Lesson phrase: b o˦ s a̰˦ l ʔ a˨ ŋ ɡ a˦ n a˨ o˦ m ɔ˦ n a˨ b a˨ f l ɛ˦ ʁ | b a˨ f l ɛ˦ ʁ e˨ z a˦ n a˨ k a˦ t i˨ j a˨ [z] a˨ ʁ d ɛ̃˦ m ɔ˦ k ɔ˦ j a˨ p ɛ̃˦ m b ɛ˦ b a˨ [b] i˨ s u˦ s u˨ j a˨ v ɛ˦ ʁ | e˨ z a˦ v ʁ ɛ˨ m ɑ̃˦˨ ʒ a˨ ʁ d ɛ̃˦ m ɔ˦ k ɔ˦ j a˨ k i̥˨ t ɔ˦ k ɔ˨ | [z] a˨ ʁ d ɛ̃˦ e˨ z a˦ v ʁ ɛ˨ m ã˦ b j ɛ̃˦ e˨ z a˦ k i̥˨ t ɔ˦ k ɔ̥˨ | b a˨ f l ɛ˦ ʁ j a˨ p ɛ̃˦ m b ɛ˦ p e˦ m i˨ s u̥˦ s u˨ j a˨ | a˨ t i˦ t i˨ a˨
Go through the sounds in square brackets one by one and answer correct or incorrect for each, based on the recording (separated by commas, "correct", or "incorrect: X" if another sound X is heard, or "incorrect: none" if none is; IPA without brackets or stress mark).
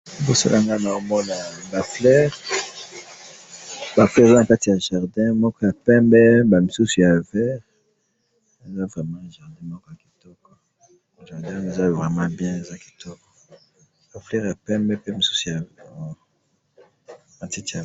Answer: incorrect: ʒ, incorrect: m, incorrect: ʒ